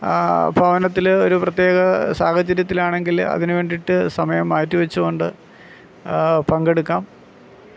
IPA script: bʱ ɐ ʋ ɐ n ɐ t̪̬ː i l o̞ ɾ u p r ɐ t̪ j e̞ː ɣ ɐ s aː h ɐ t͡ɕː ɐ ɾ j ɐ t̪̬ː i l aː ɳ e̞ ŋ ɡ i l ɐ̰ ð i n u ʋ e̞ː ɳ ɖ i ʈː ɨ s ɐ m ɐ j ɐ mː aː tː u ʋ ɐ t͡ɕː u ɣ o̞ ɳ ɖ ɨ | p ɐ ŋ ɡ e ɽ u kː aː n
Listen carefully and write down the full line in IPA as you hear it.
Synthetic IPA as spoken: bʱ ɐ ʋ ɐ n ɐ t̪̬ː i l o̞ ɾ u p r ɐ t̪ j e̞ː ɣ ɐ s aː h ɐ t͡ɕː ɐ ɾ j ɐ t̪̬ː i l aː ɳ e̞ ŋ ɡ i l ɐ̰ ð i n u ʋ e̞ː ɳ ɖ i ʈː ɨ s ɐ m ɐ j ɐ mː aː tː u ʋ ɐ t͡ɕː u ɣ o̞ ɳ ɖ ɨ | p ɐ ŋ ɡ e ɽ u kː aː m